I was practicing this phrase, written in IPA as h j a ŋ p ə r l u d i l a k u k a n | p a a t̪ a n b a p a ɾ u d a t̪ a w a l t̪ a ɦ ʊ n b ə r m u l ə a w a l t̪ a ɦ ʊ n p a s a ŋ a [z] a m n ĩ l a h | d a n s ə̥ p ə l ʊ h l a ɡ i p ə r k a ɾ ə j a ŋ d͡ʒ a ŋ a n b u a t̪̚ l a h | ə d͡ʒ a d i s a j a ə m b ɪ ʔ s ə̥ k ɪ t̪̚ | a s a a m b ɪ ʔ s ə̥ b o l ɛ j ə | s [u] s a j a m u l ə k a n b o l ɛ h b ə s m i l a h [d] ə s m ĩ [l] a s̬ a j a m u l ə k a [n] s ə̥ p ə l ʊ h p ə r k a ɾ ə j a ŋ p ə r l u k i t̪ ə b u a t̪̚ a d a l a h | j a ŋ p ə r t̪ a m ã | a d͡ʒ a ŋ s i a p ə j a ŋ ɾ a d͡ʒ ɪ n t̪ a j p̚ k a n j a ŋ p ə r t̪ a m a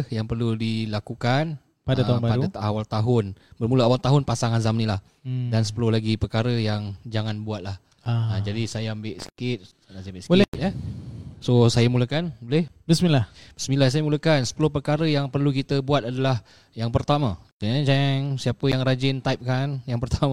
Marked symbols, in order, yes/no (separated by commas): yes, no, no, yes, yes